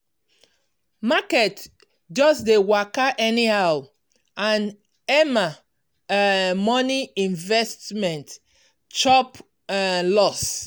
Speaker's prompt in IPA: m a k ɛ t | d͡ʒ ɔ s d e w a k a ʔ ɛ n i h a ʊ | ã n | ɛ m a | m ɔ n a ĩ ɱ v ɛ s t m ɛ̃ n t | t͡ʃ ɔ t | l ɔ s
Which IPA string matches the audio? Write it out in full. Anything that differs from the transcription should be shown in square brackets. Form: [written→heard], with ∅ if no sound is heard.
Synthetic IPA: m a k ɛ t | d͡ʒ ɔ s d e w a k a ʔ ɛ n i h a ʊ | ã n | ɛ m a | m ɔ n [a→i] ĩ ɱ v ɛ s t m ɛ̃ n t | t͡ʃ ɔ [t→p] | l ɔ s